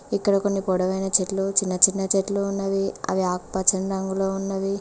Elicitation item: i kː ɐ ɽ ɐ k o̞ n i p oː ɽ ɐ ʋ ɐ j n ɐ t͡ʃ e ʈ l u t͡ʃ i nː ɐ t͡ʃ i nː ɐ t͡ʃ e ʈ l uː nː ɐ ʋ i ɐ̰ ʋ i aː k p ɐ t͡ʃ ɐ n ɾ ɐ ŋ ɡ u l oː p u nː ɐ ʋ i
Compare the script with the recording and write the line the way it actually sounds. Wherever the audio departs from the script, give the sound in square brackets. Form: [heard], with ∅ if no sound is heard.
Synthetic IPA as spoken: i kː ɐ ɽ ɐ k o̞ [nː] i p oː ɽ ɐ ʋ ɐ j n ɐ t͡ʃ e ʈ l u t͡ʃ i nː ɐ t͡ʃ i nː ɐ t͡ʃ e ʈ l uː nː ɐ ʋ i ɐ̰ ʋ i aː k p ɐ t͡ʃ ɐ n ɾ ɐ ŋ ɡ u l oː [∅] u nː ɐ ʋ i